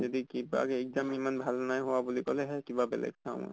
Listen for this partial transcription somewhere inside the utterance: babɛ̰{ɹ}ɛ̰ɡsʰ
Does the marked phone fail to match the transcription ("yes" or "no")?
yes